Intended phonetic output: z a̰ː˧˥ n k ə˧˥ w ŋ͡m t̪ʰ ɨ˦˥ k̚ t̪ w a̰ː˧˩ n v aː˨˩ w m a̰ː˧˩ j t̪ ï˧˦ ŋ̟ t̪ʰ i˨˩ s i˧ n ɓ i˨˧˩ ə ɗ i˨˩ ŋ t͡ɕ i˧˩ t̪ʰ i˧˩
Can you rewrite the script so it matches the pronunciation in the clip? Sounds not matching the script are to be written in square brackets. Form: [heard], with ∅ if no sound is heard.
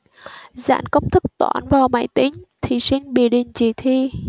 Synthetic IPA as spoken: z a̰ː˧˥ n k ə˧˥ w ŋ͡m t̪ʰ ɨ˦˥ k̚ t̪ w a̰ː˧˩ n v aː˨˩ w m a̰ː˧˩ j t̪ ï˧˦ ŋ̟ t̪ʰ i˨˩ s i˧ n ɓ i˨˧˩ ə ɗ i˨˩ ŋ t͡ɕ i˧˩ t̪ʰ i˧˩